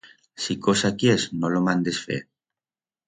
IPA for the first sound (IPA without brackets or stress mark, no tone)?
s